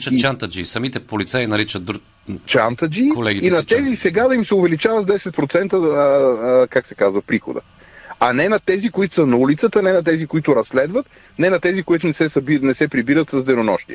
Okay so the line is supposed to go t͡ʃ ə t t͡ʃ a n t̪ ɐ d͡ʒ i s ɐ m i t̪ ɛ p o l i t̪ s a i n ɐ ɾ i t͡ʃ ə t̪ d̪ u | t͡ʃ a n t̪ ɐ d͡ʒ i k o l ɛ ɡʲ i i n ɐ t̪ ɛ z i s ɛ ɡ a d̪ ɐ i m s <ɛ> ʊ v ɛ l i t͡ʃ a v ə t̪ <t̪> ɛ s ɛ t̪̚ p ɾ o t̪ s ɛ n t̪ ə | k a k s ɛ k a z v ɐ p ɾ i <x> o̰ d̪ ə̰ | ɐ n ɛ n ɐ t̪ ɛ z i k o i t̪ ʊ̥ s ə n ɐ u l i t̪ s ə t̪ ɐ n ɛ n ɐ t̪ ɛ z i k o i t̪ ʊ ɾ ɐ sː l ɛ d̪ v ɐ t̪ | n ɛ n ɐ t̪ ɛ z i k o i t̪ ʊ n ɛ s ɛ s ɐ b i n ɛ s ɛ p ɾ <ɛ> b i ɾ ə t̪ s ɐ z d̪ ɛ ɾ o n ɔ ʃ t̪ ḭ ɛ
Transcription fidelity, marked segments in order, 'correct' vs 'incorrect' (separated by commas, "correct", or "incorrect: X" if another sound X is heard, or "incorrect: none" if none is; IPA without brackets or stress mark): correct, incorrect: d̪, correct, incorrect: i